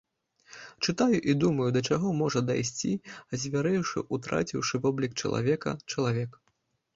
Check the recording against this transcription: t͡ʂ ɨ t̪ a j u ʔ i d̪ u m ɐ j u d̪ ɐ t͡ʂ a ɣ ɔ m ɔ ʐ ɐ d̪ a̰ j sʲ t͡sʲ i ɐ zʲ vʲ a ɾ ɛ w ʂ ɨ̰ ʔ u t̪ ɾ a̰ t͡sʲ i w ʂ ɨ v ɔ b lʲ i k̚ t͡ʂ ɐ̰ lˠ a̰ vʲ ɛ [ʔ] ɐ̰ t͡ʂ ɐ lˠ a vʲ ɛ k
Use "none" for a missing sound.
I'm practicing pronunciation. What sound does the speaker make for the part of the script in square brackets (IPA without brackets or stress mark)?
k